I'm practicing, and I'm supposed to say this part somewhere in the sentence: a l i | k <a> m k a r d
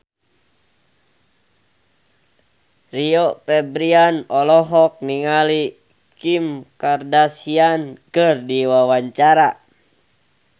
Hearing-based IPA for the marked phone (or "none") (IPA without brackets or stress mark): i